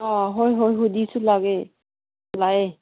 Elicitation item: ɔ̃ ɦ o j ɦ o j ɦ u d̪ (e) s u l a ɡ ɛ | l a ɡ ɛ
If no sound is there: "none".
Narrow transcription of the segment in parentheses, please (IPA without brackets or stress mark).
i